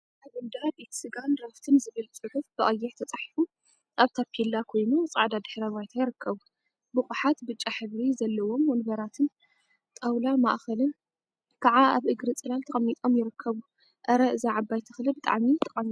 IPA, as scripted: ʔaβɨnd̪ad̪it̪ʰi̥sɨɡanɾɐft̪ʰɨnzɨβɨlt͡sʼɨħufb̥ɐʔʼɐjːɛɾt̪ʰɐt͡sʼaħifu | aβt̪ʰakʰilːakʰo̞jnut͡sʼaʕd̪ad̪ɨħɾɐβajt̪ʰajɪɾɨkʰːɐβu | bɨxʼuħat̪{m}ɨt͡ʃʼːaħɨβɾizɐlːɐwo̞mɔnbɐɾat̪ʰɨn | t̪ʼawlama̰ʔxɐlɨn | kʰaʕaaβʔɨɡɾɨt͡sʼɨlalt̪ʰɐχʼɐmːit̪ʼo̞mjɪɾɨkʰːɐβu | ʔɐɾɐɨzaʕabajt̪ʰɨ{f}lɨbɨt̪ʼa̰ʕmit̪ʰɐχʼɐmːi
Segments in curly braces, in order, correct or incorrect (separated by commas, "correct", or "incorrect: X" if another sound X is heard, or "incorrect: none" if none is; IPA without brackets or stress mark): incorrect: b, incorrect: x